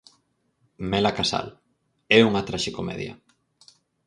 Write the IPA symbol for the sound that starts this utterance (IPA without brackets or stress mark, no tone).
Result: m